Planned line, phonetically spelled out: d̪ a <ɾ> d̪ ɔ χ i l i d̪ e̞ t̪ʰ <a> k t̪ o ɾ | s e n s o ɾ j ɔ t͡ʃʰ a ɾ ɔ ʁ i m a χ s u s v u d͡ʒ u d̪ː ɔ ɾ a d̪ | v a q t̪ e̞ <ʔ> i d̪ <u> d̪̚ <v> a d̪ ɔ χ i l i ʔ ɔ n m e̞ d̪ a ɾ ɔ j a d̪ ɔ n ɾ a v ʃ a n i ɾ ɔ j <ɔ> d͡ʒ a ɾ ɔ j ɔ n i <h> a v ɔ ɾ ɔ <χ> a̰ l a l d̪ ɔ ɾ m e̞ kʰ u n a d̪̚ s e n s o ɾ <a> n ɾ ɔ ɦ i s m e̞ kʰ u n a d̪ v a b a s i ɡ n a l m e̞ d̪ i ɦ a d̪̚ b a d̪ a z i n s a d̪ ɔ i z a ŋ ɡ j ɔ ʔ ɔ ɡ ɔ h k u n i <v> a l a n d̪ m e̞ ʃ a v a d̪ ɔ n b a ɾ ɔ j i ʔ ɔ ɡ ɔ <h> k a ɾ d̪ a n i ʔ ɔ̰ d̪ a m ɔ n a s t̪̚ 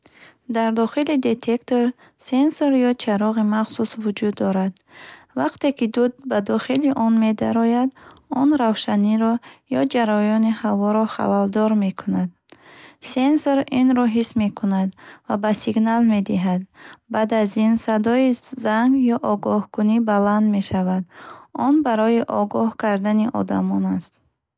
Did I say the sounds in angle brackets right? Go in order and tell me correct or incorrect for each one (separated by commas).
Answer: correct, incorrect, incorrect, correct, incorrect, correct, correct, correct, incorrect, incorrect, correct